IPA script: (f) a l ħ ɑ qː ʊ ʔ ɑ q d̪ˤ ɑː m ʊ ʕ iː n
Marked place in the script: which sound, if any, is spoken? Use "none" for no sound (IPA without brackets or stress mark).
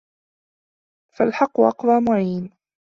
f